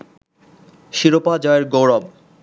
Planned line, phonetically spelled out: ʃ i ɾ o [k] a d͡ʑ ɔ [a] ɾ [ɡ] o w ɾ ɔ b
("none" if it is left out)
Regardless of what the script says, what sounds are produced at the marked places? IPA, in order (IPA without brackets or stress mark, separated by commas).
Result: p, e, ɡ